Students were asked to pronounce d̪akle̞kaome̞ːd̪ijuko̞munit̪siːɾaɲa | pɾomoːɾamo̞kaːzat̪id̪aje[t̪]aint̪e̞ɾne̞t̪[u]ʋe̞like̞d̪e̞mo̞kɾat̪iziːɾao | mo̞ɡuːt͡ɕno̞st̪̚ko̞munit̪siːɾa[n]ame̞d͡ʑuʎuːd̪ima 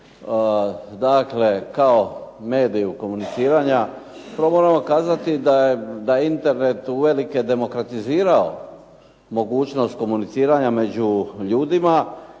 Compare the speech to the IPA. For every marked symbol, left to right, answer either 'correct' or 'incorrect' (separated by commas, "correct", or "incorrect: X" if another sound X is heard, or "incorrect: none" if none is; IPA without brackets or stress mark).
incorrect: d̪, correct, incorrect: ɲ